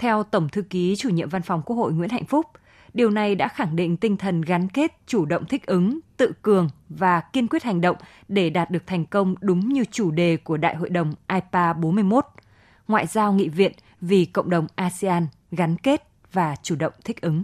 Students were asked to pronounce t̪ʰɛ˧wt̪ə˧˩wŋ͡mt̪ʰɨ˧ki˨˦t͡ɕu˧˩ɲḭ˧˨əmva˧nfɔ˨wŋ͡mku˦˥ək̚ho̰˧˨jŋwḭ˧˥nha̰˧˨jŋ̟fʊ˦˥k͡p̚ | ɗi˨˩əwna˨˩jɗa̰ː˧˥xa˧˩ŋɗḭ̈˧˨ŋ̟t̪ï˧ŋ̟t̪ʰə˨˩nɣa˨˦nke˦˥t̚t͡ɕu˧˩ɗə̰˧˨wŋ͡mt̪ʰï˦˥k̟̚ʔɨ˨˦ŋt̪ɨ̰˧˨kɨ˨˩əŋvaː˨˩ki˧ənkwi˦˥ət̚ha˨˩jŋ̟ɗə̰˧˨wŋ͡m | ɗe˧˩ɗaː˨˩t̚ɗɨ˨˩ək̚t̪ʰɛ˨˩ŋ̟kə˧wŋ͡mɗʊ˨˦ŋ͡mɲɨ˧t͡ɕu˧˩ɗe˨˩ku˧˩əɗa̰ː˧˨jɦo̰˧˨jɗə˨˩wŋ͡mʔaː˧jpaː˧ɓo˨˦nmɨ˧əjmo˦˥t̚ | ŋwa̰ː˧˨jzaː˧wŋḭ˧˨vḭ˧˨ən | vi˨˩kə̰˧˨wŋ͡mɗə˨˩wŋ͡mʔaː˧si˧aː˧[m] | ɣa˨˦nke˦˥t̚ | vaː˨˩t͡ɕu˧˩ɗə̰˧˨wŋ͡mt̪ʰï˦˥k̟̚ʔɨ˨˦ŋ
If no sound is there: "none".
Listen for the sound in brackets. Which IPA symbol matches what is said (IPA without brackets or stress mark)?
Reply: n